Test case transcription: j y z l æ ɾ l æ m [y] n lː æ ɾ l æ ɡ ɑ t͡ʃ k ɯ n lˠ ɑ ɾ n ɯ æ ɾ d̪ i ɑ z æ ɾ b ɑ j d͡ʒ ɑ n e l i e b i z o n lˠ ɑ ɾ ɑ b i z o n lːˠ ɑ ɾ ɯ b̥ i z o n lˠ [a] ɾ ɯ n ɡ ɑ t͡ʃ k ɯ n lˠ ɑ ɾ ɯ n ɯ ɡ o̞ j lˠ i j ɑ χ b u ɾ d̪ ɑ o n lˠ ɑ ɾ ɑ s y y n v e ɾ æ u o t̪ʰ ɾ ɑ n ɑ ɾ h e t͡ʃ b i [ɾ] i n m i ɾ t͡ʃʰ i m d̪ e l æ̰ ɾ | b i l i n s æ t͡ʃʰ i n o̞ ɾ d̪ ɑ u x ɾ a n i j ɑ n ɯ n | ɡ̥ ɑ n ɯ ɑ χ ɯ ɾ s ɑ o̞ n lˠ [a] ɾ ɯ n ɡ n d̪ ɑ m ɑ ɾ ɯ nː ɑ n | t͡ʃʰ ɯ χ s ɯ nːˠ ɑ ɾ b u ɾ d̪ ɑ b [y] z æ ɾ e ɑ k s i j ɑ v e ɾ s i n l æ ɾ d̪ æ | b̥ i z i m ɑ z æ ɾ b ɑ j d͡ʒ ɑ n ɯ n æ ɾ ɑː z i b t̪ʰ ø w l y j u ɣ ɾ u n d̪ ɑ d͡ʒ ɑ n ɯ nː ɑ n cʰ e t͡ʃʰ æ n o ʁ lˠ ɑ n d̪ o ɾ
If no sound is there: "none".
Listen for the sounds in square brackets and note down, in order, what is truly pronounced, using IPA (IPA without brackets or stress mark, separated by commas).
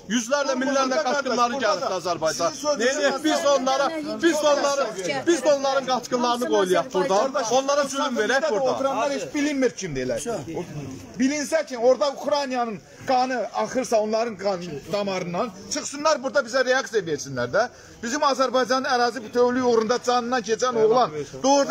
i, ɑ, l, ɑ, i